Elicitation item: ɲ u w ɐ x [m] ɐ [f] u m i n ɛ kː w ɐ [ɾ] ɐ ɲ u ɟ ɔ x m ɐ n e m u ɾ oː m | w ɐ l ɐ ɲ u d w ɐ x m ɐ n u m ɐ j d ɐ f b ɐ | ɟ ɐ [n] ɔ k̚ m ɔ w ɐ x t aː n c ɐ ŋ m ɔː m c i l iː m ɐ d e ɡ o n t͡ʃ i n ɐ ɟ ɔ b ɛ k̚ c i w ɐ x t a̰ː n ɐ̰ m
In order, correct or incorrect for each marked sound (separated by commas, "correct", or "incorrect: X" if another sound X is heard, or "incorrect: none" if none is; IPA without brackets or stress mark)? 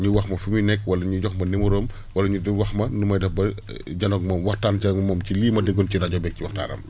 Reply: correct, correct, incorrect: l, correct